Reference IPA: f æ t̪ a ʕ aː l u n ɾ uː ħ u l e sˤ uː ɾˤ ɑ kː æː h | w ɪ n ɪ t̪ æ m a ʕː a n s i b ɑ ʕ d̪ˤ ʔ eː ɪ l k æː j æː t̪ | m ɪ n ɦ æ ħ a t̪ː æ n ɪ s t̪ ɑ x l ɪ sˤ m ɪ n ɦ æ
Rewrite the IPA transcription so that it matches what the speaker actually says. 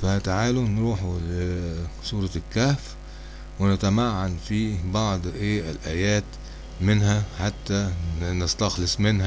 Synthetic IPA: f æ t̪ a ʕ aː l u n ɾ uː ħ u l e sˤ uː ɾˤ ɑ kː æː f | w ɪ n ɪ t̪ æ m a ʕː a n f i b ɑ ʕ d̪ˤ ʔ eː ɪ l ʔ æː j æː t̪ | m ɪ n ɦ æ ħ a t̪ː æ n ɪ s t̪ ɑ x l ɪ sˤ m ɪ n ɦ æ

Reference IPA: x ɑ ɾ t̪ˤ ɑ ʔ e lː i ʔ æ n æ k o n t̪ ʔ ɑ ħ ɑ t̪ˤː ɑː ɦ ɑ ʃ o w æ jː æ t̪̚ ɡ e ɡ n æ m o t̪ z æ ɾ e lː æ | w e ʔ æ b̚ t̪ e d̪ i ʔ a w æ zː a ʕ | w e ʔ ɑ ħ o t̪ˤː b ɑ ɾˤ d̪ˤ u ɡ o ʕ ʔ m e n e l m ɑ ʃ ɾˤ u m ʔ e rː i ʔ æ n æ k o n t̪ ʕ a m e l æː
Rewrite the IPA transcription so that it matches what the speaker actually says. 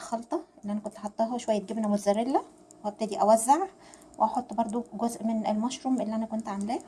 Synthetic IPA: x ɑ l t̪ˤ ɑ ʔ e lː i ʔ æ n æ k o n t̪ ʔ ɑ ħ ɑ t̪ˤː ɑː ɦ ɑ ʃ o w æ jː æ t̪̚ ɡ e b n æ m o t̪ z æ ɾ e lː æ | w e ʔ æ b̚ t̪ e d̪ i ʔ æ w æ zː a ʕ | w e ʔ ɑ ħ o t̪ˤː b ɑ ɾˤ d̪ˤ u ɡ o z ʔ m e n e l m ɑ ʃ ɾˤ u m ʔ e lː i ʔ æ n æ k o n t̪ ʕ a m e l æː

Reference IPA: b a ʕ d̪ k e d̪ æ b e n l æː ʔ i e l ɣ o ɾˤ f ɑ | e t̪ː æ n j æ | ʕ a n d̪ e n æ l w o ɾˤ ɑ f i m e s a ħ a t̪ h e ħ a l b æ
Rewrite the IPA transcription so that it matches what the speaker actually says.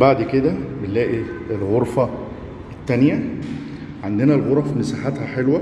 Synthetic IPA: b a ʕ d̪ k e d̪ æ b e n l æː ʔ i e l ɣ o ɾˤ f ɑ | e t̪ː æ n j æ | ʕ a n d̪ e n æ l ɣ o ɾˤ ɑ f i m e s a ħ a t̪ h æ ħ e l w æ

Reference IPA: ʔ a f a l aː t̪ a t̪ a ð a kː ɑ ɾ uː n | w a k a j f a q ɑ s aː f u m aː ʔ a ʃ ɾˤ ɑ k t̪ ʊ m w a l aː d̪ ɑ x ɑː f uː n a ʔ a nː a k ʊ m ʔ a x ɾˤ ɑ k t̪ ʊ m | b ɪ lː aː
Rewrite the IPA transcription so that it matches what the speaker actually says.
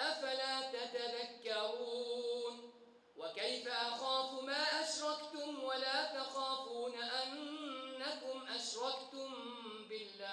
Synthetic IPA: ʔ a f a l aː t̪ a t̪ a ð a kː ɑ ɾ uː n | w a k a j f a ʔ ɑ x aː f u m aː ʔ a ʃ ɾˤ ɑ k t̪ ʊ m w a l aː t̪ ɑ x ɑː f uː n a ʔ a nː a k ʊ m ʔ a ʃ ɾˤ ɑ k t̪ ʊ m | b ɪ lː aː

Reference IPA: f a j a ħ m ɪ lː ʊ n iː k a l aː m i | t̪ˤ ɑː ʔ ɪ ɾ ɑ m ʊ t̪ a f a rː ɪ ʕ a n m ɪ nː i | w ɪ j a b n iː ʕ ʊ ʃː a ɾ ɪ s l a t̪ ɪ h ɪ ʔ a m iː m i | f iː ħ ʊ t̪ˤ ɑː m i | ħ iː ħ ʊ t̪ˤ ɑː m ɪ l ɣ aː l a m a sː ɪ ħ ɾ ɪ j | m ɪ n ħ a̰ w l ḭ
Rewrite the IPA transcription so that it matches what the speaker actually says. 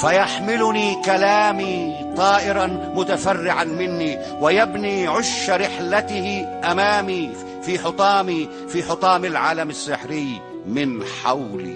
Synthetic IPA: f a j a ħ m ɪ l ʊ n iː k a l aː m i | t̪ˤ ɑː ʔ ɪ ɾ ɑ m ʊ t̪ a f a rː ɪ ʕ a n m ɪ nː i | w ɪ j a b n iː ʕ ʊ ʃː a ɾ ɪ ħ l a t̪ ɪ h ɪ ʔ a m aː m i | f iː ħ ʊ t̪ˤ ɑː m i | f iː ħ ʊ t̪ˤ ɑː m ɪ l ʕ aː l a m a sː ɪ ħ ɾ ɪ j | m ɪ n ħ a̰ w l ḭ

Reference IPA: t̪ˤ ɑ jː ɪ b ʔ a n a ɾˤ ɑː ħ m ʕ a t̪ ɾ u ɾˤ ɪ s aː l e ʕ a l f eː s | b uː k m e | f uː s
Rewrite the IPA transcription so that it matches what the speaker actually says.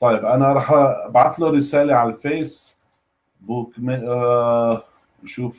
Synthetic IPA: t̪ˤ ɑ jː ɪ b ʔ a n a ɾˤ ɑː ħ b ʕ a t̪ l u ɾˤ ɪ s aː l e ʕ a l f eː s | b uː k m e | ʃ uː f

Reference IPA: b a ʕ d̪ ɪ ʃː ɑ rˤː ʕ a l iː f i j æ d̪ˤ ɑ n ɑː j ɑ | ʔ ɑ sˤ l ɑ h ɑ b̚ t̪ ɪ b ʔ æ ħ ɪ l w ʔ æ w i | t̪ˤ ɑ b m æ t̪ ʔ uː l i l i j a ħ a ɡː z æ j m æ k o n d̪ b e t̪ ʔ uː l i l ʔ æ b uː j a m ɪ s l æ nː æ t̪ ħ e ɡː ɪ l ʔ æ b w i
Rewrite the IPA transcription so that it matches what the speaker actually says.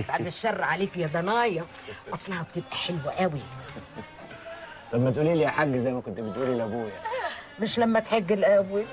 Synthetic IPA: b a ʕ d̪ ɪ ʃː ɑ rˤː ʕ a l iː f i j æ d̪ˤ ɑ n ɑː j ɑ | ʔ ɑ sˤ l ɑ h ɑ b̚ t̪ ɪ b ʔ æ ħ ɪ l w ʔ æ w i | t̪ˤ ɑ b m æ t̪ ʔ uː l i l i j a ħ a ɡː z æ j m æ k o n t̪ b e t̪ ʔ uː l i l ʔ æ b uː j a m ɪ ʃ l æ mː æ t̪ ħ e ɡː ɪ l ʔ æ b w i

